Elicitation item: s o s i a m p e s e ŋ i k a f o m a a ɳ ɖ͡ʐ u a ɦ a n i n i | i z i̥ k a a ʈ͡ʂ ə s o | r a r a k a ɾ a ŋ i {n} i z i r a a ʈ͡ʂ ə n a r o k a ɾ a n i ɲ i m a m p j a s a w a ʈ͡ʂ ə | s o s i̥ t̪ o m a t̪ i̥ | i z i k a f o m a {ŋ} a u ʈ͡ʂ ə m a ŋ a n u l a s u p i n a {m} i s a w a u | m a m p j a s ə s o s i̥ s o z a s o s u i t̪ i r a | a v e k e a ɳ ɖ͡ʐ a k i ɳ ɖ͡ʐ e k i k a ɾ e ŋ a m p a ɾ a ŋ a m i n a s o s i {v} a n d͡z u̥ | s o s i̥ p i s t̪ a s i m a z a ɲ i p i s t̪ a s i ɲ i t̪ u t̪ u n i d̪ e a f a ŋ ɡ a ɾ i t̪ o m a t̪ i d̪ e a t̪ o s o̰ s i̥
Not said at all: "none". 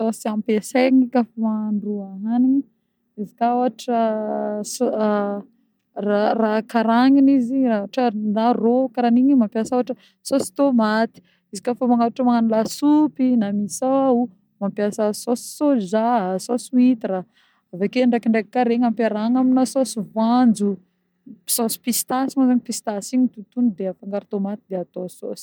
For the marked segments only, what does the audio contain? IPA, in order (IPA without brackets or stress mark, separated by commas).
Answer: n, ŋ, m, v